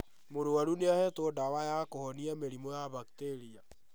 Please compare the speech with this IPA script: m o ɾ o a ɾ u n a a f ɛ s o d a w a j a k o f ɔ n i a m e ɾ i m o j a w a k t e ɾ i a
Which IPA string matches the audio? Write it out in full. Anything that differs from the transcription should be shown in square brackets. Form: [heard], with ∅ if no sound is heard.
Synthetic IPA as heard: m o ɾ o a ɾ u n [e] a [h] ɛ [t] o d a w a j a k o [h] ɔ n i a m e ɾ i m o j a [β] a k t e ɾ i a

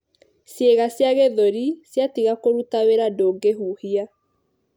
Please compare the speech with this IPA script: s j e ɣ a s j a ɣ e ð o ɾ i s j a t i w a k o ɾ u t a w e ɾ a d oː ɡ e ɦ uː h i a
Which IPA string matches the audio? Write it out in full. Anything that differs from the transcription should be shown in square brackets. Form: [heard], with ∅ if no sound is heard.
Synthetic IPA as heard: s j e ɣ a s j a ɣ e ð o ɾ i s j a t i [ɣ] a k o ɾ u t a w e ɾ a d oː ɡ e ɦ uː h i a

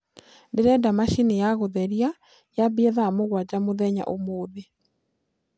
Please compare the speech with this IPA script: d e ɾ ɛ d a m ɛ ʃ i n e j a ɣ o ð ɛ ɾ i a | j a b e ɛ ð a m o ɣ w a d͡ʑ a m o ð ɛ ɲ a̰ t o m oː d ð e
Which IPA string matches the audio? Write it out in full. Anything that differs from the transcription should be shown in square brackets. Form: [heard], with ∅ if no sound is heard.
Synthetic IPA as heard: d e ɾ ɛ d a m [a] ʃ i n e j a ɣ o ð ɛ ɾ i a | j a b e ɛ ð a m o ɣ w a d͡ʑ a m o ð ɛ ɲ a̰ [ʔ] o m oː [∅] ð e

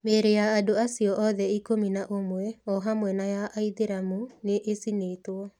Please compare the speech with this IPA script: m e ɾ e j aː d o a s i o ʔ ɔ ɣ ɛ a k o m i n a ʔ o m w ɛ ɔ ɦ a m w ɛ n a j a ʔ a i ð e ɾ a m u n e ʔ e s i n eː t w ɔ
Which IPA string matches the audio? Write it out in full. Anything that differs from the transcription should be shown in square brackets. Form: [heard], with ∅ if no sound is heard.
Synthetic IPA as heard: m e ɾ e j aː d o a s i [ɔ] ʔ ɔ [ð] ɛ [i] k o m i n a ʔ o m w ɛ ɔ ɦ a m w ɛ n a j a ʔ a i ð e ɾ a m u n e ʔ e s i n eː t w ɔ

